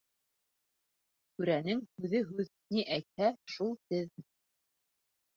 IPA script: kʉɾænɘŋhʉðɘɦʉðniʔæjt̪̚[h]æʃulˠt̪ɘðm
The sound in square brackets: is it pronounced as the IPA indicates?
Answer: yes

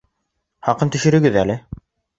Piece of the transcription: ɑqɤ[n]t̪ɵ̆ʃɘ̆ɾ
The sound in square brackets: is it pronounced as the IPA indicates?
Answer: yes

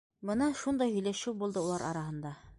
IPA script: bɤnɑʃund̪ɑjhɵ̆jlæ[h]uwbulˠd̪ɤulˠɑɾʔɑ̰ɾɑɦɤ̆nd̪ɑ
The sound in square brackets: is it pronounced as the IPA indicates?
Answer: no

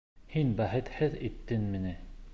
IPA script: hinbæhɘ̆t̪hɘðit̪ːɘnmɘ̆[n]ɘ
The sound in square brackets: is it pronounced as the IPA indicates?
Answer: yes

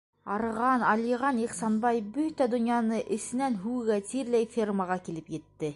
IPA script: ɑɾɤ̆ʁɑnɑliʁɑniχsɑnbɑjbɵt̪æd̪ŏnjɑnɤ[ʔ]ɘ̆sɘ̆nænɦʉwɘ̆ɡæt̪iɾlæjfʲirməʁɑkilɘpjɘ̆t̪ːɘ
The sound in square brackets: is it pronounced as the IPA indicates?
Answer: yes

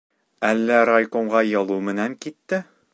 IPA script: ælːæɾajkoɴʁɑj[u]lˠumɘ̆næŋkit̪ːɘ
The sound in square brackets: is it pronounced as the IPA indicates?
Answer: no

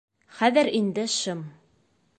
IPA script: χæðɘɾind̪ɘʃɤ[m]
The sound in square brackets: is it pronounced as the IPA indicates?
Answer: yes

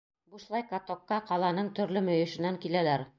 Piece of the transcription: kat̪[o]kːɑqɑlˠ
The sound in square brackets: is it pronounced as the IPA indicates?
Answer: yes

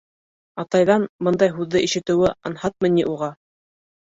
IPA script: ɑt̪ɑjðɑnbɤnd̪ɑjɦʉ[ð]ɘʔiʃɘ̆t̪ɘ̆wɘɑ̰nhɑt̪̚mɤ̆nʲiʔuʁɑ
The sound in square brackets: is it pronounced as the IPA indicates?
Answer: no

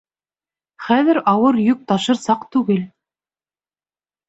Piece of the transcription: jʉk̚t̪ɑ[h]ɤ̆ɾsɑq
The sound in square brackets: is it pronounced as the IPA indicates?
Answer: no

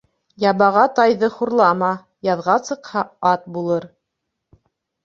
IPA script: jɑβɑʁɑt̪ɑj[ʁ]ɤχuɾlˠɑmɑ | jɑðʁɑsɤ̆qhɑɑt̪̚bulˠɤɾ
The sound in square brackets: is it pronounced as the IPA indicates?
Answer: no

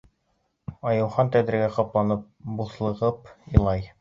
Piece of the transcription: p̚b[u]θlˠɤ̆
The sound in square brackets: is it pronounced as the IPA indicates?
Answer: yes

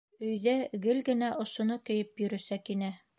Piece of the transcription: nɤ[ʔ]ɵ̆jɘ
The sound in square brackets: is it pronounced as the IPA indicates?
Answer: no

